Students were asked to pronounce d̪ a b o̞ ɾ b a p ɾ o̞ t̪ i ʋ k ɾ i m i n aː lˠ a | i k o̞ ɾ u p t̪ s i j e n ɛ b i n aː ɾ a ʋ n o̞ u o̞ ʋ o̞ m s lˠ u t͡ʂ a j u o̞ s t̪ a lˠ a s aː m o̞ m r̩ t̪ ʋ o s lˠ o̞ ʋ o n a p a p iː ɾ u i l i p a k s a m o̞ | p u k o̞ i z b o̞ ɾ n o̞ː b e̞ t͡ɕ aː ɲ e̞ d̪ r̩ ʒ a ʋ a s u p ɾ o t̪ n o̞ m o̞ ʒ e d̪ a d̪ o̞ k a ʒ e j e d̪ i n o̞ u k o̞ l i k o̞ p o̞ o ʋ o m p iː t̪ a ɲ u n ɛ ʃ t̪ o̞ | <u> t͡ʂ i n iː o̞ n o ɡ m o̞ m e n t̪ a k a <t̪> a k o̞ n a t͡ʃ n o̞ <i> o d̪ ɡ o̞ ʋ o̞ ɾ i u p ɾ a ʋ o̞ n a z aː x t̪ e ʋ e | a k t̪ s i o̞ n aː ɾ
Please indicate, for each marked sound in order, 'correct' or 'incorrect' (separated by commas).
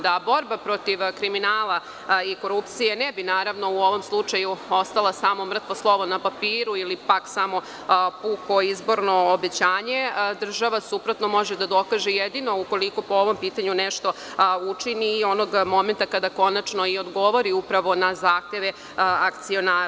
correct, incorrect, correct